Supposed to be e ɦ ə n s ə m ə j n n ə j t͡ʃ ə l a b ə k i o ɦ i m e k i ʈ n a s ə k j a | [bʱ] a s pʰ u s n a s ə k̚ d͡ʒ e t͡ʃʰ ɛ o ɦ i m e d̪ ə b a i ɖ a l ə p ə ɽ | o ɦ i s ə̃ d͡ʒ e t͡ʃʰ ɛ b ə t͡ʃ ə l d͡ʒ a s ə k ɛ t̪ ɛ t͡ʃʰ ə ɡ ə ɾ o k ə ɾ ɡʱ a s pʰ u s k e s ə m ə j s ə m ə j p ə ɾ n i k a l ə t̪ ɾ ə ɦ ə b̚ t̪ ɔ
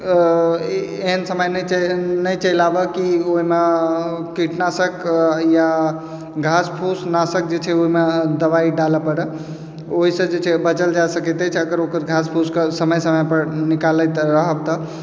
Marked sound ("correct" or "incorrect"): incorrect